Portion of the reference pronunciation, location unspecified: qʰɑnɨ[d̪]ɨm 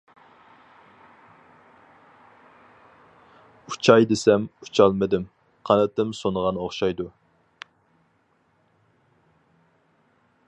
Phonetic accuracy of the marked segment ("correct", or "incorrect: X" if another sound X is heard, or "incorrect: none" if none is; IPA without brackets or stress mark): incorrect: t̪